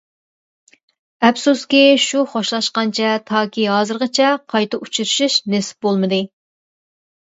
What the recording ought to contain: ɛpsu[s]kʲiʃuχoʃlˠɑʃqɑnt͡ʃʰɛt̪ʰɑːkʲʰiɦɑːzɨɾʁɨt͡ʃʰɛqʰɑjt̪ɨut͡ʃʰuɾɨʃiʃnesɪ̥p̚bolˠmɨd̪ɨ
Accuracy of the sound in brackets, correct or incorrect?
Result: correct